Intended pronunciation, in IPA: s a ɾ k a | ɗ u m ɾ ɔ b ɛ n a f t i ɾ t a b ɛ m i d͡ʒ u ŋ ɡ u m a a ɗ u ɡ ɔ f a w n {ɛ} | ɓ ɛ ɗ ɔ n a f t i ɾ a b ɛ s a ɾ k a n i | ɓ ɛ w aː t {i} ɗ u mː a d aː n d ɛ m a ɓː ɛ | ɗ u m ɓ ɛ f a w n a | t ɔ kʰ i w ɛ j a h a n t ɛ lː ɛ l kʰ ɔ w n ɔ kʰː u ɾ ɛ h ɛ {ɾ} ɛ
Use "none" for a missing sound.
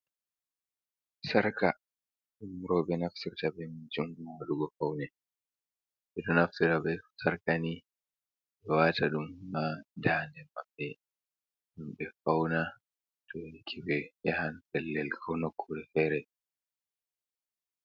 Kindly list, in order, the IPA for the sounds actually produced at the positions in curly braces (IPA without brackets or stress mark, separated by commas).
ɛ, a, ɾ